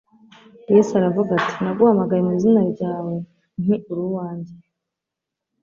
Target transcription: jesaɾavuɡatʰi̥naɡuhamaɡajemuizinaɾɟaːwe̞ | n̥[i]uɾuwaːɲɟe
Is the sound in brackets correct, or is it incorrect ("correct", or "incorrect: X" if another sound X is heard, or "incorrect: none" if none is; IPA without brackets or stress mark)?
correct